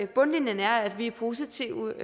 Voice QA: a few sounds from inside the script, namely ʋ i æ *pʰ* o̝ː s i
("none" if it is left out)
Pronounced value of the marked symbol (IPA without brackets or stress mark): pʰ